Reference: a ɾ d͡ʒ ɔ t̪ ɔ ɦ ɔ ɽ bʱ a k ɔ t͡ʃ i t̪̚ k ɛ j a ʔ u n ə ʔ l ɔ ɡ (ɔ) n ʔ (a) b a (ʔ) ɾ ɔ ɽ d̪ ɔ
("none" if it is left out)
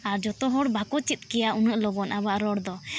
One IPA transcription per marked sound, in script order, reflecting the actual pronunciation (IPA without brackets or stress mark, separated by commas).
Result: ɔ, a, ʔ